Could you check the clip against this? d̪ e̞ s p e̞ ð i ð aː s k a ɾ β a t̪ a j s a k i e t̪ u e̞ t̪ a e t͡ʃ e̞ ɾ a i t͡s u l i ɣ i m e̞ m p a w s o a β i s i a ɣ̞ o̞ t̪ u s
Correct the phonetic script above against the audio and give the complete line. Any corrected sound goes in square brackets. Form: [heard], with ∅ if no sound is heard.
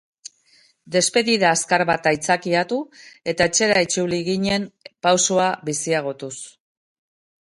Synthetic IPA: d̪ e̞ s p e̞ ð i ð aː s k a ɾ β a t̪ a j [t͡s] a k i [a] t̪ u e̞ t̪ a e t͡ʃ e̞ ɾ a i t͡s u l i ɣ i [ɲ] e̞ m p a w s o a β i s i a ɣ̞ o̞ t̪ u s